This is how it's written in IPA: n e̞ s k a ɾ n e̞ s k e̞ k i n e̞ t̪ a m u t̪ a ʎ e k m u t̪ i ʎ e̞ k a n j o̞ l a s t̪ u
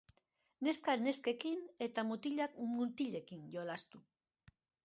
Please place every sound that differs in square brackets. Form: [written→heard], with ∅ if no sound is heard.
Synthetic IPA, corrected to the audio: n e̞ s k a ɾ n e̞ s k e̞ k i n e̞ t̪ a m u t̪ [a→i] ʎ [e→a] k m u t̪ i ʎ e̞ k [a→i] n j o̞ l a s t̪ u